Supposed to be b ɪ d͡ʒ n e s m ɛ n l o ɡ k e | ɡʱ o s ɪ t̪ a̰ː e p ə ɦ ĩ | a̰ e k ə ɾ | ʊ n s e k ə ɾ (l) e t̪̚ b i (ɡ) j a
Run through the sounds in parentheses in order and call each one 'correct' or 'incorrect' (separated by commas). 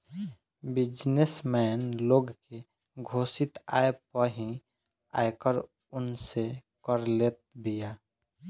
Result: correct, incorrect